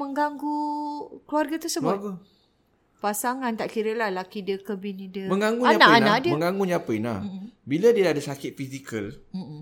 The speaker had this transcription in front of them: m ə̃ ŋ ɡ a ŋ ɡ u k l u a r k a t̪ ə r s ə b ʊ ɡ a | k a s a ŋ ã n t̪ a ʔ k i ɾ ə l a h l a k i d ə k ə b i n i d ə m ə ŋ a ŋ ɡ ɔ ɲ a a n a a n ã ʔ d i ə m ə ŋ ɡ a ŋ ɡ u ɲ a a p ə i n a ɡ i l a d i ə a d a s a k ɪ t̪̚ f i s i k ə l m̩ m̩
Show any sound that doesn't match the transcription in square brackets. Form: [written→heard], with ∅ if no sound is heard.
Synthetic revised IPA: m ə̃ ŋ ɡ a ŋ ɡ u k l u a r [k→ɡ] a t̪ ə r s ə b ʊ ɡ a | [k→p] a s a ŋ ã n t̪ a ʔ k i ɾ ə l a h l a k i d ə k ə b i n i d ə m ə ŋ a ŋ ɡ [ɔ→u] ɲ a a n a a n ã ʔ d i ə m ə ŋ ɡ a ŋ ɡ u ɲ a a p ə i n a [ɡ→b] i l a d i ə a d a s a k ɪ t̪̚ f i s i k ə l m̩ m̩